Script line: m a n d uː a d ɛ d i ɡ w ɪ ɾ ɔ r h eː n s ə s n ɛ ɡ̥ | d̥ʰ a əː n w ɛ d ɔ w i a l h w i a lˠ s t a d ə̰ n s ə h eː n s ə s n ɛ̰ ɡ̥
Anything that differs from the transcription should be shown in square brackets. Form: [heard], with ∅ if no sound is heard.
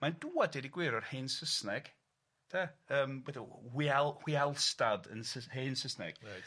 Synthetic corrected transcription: m a n d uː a d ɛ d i ɡ w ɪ ɾ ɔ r h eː n s ə s n ɛ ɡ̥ | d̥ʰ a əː [m] w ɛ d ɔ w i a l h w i a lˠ s t a d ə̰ n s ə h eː n s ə s n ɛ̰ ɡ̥